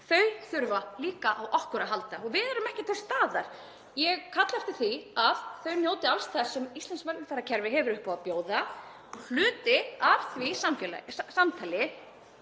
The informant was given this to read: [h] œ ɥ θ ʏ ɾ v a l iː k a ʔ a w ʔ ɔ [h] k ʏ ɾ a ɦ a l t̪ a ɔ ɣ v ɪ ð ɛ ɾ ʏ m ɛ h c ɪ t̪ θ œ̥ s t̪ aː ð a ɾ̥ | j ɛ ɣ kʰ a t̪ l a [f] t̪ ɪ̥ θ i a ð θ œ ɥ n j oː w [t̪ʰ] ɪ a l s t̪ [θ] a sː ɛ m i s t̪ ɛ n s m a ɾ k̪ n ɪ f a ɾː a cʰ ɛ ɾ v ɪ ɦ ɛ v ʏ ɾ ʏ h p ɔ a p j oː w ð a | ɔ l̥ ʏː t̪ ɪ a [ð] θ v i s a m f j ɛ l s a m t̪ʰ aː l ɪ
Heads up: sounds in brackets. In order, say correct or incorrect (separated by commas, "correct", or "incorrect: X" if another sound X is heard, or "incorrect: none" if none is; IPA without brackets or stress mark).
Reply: incorrect: θ, correct, correct, incorrect: t̪, correct, incorrect: v